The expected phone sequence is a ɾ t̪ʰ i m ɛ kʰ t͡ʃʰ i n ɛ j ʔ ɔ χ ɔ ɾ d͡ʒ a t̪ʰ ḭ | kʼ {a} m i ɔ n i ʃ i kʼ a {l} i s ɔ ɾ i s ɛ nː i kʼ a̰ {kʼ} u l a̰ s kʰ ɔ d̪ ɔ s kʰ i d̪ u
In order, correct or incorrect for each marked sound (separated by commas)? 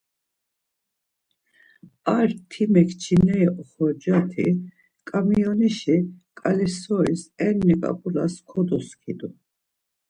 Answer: correct, correct, incorrect